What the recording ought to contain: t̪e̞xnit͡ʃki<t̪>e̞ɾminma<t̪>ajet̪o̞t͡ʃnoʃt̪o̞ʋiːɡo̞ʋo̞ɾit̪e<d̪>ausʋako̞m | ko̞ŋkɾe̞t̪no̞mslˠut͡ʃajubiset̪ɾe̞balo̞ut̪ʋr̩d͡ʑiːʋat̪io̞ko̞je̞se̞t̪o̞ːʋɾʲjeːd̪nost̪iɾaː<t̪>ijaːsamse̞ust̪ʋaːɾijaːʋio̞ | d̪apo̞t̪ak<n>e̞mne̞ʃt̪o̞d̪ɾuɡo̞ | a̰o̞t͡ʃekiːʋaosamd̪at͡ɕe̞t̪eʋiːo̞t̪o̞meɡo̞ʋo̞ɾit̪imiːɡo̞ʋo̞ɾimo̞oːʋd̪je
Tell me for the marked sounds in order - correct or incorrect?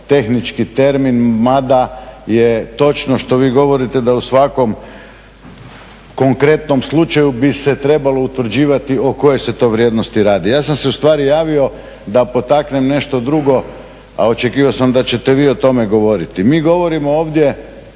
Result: correct, incorrect: d̪, correct, incorrect: d̪, correct

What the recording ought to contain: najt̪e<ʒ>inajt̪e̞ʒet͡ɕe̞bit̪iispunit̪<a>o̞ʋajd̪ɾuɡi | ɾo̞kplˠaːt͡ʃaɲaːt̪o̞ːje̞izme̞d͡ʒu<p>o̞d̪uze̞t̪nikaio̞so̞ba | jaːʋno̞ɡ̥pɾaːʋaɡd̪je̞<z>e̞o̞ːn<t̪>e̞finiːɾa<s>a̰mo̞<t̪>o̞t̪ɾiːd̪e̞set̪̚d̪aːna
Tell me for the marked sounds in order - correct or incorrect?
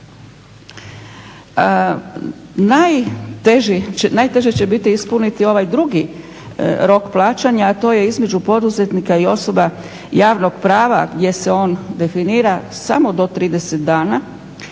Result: correct, incorrect: i, correct, incorrect: s, incorrect: d̪, correct, incorrect: d̪

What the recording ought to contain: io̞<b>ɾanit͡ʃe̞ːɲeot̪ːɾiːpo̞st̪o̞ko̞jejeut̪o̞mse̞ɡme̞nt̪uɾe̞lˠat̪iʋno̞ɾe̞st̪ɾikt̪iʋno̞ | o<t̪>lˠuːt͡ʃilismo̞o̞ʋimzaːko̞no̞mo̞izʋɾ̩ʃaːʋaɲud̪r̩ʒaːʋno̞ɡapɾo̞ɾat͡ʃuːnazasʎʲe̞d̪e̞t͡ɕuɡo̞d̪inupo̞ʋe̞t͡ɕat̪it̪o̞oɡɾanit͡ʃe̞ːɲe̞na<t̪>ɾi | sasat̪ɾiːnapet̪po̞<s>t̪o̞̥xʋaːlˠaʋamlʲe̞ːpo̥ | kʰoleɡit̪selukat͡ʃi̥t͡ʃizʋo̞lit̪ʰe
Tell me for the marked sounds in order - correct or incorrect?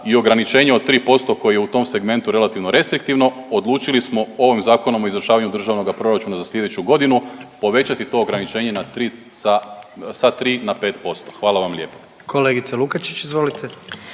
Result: incorrect: ɡ, incorrect: d̪, correct, correct

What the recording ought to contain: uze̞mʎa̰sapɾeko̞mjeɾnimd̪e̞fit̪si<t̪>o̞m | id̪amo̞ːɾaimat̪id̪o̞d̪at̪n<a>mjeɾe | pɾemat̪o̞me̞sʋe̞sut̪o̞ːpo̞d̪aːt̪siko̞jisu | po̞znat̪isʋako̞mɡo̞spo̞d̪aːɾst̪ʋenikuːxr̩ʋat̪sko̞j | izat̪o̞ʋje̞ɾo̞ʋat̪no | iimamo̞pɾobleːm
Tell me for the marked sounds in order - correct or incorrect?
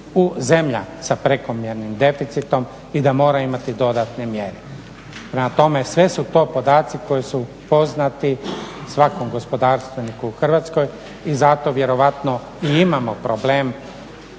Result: correct, incorrect: e

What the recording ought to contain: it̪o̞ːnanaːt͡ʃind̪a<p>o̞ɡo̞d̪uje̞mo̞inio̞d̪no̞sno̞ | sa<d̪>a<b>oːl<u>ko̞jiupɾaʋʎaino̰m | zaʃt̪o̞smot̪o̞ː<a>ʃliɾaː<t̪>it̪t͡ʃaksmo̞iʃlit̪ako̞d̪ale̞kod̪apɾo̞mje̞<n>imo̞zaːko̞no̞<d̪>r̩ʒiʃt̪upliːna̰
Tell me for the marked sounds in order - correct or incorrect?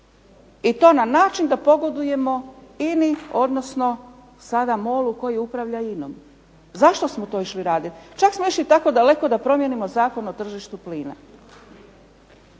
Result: correct, correct, incorrect: m, correct, incorrect: i, incorrect: d̪, correct, incorrect: t̪

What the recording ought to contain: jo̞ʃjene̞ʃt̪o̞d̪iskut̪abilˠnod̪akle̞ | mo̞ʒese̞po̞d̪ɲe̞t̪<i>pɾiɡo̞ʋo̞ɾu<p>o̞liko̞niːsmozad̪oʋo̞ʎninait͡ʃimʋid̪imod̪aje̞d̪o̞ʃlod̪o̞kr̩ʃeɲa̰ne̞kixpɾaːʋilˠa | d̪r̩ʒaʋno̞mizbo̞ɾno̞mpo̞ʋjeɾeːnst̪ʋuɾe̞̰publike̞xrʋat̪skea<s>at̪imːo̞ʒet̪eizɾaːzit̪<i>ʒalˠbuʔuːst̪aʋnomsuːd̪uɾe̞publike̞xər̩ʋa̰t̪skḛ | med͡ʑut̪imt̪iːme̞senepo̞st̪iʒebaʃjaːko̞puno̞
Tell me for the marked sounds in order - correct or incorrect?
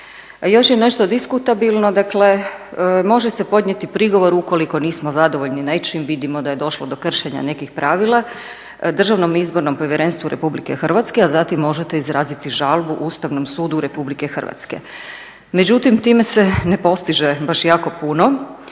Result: correct, incorrect: k, incorrect: z, correct

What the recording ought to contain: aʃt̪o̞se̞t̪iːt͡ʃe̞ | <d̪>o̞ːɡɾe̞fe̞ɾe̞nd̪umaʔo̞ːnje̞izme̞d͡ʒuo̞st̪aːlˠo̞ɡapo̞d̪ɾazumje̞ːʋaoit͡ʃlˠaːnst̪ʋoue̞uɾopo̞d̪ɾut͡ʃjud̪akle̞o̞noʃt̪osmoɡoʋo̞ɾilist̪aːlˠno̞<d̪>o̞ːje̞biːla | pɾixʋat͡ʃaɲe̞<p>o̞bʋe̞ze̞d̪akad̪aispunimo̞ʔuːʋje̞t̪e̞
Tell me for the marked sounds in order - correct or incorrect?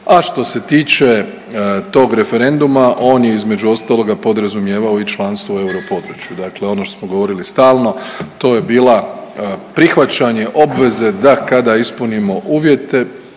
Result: incorrect: t̪, incorrect: t̪, incorrect: ʔ

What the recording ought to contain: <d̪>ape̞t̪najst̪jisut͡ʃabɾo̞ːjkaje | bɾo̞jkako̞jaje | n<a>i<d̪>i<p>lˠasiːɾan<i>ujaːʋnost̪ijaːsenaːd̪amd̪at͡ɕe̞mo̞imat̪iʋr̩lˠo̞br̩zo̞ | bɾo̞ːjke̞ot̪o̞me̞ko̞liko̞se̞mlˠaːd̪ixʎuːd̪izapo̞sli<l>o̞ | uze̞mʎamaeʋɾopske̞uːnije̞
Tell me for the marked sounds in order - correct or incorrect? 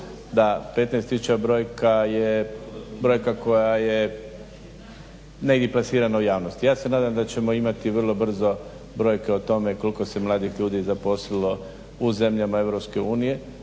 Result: correct, incorrect: e, correct, correct, incorrect: a, correct

